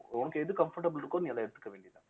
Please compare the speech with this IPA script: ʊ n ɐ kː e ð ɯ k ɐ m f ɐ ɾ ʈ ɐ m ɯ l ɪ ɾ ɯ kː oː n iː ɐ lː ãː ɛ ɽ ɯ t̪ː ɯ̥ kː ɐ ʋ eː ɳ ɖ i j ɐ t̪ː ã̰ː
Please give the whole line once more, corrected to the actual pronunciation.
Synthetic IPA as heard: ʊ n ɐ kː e ð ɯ k ɐ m f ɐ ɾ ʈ ɐ b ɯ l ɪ ɾ ɯ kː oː n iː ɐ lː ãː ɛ ɽ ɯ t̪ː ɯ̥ kː ɐ ʋ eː ɳ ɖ i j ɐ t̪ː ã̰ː